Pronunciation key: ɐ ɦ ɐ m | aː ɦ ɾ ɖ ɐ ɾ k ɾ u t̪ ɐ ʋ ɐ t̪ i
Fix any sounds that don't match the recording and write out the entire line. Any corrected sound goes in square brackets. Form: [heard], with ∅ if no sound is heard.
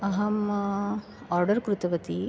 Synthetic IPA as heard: ɐ ɦ ɐ m | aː [∅] ɾ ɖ ɐ ɾ k ɾ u t̪ ɐ ʋ ɐ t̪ i